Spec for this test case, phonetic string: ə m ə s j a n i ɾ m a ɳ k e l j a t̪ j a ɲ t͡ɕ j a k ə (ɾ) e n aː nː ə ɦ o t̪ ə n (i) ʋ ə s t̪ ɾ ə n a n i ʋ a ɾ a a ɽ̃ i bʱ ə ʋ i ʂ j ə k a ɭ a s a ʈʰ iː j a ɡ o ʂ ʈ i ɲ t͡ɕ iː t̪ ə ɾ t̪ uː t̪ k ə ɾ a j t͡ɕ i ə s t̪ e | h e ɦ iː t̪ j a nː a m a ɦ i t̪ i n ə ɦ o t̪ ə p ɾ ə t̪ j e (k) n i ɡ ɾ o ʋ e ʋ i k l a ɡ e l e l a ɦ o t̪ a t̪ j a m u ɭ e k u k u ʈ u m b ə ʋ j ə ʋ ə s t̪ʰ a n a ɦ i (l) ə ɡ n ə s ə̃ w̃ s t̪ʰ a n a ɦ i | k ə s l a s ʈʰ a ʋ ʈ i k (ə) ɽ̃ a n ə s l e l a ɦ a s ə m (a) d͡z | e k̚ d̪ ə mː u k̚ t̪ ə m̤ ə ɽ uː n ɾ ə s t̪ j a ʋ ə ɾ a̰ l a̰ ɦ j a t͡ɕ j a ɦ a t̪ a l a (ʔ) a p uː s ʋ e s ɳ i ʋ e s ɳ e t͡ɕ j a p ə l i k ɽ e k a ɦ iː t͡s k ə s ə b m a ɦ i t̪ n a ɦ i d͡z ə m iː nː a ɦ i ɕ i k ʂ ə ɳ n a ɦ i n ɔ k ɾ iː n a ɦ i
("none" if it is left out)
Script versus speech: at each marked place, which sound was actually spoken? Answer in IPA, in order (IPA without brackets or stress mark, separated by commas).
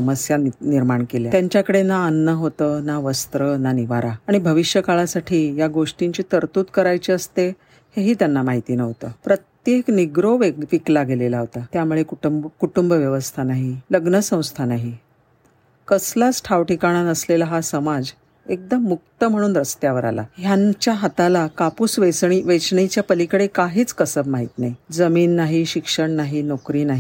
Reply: ɽ, a, k, l, a, a, k